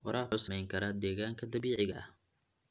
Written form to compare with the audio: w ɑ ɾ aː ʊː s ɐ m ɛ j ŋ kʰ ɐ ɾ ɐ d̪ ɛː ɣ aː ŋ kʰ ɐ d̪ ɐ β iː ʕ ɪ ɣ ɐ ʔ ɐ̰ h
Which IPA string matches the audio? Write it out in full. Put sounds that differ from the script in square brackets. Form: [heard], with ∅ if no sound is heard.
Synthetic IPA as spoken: w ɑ ɾ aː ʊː s ɐ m ɛ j ŋ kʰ ɐ ɾ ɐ d̪ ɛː ɣ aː ŋ kʰ ɐ d̪ ɐ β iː ʕ ɪ ɣ ɐ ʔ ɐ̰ h